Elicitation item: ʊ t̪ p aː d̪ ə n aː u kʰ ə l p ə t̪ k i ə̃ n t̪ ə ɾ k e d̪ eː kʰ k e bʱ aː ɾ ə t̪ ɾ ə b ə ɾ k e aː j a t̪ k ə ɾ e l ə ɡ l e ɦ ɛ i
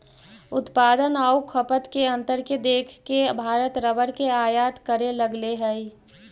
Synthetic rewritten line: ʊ t̪ p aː d̪ ə n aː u kʰ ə p ə t̪ k e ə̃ n t̪ ə ɾ k e d̪ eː kʰ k e bʱ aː ɾ ə t̪ ɾ ə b ə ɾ k e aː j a t̪ k ə ɾ e l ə ɡ l e ɦ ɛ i